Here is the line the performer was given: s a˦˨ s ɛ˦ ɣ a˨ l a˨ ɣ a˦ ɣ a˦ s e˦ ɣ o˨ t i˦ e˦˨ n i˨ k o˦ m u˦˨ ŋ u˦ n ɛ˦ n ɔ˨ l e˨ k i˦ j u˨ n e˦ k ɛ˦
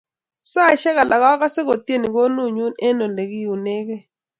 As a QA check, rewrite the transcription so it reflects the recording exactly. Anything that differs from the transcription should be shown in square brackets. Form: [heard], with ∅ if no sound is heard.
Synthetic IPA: s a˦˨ [ʃ] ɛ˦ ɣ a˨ l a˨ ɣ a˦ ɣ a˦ s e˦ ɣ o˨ t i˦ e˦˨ n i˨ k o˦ [n] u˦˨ [ɲ] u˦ n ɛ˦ n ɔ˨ l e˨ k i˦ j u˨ n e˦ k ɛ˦